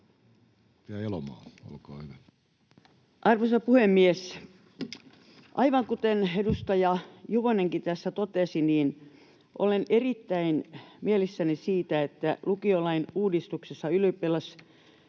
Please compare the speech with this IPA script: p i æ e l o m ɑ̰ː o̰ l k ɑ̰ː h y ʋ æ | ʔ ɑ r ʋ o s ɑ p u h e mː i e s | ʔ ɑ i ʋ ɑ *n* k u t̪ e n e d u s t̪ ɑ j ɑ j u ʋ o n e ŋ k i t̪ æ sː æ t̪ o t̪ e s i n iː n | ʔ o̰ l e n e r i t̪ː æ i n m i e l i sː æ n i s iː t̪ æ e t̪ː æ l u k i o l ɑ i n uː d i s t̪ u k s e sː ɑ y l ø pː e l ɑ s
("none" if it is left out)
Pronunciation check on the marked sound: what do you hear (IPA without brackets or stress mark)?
ŋ